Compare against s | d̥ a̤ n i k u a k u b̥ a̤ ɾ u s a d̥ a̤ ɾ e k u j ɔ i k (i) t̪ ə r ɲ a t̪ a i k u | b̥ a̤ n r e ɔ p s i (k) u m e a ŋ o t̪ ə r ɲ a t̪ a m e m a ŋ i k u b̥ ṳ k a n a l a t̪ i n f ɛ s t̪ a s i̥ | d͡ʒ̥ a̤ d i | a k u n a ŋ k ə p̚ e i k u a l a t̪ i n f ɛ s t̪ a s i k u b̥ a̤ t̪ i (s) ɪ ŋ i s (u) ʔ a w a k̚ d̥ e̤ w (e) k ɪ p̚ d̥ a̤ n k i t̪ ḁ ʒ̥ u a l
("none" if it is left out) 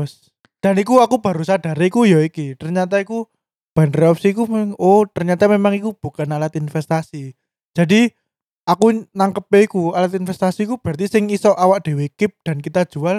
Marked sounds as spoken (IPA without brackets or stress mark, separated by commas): i, k, s, ɔ, e